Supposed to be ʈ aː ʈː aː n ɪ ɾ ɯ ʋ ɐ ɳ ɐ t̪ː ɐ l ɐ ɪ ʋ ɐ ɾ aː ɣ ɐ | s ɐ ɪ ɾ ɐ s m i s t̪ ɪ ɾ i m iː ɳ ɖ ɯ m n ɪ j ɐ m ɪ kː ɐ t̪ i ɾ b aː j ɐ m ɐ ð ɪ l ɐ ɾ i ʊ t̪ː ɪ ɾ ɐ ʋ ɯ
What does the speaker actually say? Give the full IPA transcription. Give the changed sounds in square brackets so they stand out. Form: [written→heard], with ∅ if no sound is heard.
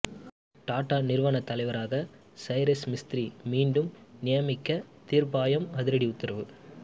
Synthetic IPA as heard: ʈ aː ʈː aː n ɪ ɾ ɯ ʋ ɐ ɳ ɐ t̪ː ɐ l ɐ ɪ ʋ ɐ ɾ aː ɣ ɐ | s ɐ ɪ ɾ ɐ s m [i→ɪ] s t̪ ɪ ɾ i m iː ɳ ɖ ɯ m n ɪ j ɐ m ɪ kː ɐ t̪ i ɾ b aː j ɐ m ɐ ð ɪ [l→ɾ] ɐ [ɾ→ɽ] i ʊ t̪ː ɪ ɾ ɐ ʋ ɯ

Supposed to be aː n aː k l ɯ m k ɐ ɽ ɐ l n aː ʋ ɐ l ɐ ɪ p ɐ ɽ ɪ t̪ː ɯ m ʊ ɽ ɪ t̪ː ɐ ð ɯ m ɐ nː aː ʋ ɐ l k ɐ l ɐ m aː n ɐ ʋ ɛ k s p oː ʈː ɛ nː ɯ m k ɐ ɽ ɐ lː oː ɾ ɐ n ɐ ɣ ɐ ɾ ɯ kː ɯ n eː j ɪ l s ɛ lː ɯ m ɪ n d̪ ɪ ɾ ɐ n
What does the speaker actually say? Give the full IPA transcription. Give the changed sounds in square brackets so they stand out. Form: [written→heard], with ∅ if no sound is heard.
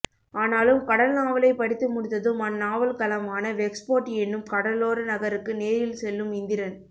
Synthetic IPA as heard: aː n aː [k→∅] l ɯ m k ɐ ɽ ɐ l n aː ʋ ɐ l ɐ ɪ p ɐ ɽ ɪ t̪ː ɯ m ʊ ɽ ɪ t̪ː ɐ ð ɯ m ɐ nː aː ʋ ɐ l k ɐ l ɐ m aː n ɐ ʋ ɛ k s p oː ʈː ɛ nː ɯ m k ɐ ɽ ɐ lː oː ɾ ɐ n ɐ ɣ ɐ ɾ ɯ kː ɯ n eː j ɪ l s ɛ lː ɯ m ɪ n d̪ ɪ ɾ ɐ n

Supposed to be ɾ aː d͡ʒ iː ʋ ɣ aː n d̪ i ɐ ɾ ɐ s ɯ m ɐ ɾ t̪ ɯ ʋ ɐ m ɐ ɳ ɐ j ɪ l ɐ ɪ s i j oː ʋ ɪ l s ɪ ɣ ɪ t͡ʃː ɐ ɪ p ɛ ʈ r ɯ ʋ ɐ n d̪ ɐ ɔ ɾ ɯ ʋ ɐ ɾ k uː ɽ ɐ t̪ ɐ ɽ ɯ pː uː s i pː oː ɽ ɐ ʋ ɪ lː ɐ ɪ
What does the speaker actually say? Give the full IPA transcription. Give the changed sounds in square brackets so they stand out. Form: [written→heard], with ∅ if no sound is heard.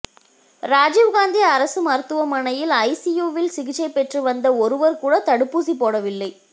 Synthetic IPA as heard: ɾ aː d͡ʒ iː ʋ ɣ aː n d̪ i ɐ ɾ ɐ s ɯ m ɐ ɾ t̪ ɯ ʋ ɐ m ɐ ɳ ɐ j ɪ l ɐ ɪ s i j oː ʋ ɪ l s ɪ ɣ ɪ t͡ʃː ɐ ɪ p ɛ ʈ r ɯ ʋ ɐ n d̪ ɐ ɔ ɾ ɯ ʋ ɐ ɾ k uː ɽ ɐ t̪ ɐ ɽ ɯ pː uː s i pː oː ɽ ɐ ʋ ɪ lː ɐ ɪ

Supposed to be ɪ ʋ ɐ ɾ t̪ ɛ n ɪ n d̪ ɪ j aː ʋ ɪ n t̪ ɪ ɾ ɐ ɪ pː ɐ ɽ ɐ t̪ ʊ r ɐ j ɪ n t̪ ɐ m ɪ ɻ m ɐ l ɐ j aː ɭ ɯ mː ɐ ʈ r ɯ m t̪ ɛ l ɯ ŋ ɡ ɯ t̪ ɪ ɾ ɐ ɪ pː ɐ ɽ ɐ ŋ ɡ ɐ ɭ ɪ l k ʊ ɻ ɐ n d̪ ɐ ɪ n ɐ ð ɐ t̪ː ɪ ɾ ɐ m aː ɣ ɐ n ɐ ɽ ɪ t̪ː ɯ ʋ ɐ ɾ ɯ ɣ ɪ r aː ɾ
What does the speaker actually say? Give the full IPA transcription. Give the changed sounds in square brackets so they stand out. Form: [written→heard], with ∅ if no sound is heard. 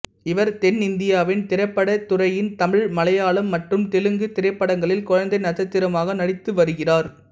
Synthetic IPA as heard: ɪ ʋ ɐ ɾ t̪ ɛ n ɪ n d̪ ɪ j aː ʋ ɪ n t̪ ɪ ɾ ɐ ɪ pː ɐ ɽ ɐ t̪ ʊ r ɐ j ɪ n t̪ ɐ m ɪ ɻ m ɐ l ɐ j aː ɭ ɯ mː ɐ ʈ r ɯ m t̪ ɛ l ɯ ŋ ɡ ɯ t̪ ɪ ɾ ɐ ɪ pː ɐ ɽ ɐ ŋ ɡ ɐ ɭ ɪ l k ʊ ɻ ɐ n d̪ ɐ ɪ n ɐ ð ɐ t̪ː ɪ ɾ ɐ m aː ɣ ɐ n ɐ ɽ ɪ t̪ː ɯ ʋ ɐ ɾ ɯ ɣ ɪ r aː ɾ

